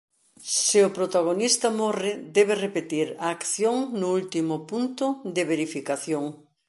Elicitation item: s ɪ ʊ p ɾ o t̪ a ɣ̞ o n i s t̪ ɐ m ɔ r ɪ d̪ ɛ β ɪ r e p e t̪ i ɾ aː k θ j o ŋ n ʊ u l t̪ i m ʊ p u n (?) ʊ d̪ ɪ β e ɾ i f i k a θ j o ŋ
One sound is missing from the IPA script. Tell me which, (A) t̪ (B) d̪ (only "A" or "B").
A